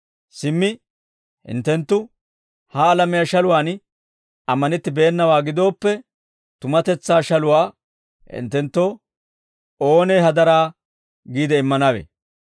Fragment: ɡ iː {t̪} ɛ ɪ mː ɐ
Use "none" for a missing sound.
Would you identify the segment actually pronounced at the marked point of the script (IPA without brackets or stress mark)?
d̪